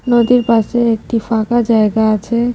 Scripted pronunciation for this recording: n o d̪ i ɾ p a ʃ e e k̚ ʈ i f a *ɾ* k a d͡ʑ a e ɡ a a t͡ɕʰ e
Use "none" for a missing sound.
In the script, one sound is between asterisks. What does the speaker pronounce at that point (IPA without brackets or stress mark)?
none